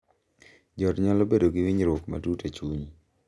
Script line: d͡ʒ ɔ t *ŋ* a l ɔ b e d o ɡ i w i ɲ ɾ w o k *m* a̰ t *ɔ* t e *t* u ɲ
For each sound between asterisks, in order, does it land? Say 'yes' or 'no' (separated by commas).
no, yes, no, no